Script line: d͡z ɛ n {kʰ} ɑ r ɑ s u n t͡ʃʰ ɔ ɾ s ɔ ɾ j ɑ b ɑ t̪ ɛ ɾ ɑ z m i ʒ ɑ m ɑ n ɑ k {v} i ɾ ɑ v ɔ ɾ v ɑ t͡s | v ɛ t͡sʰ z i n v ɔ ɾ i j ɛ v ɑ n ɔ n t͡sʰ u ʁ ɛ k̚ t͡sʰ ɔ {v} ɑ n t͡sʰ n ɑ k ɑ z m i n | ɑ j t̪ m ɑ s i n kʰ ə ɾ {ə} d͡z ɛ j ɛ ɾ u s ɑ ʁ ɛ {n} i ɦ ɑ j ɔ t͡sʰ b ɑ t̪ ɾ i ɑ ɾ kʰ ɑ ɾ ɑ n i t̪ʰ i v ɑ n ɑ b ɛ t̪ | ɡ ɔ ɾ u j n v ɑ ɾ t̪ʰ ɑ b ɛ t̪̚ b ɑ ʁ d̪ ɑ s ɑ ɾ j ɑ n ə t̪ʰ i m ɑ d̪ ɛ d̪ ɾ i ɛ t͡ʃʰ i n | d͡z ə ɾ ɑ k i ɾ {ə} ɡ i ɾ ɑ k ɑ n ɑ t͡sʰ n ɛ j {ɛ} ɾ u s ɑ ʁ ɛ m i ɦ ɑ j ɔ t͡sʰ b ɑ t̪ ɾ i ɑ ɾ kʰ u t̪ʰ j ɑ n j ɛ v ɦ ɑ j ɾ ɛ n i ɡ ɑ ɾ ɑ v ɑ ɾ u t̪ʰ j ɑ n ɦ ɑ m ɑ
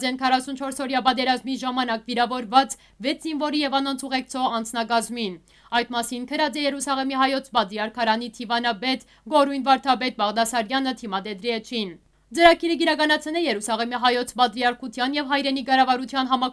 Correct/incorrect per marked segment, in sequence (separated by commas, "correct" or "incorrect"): correct, correct, incorrect, incorrect, incorrect, correct, correct